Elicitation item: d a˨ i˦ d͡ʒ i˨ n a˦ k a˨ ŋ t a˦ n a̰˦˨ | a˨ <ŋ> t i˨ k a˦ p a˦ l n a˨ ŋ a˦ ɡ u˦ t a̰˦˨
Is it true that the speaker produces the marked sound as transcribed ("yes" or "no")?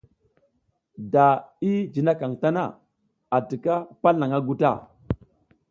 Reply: no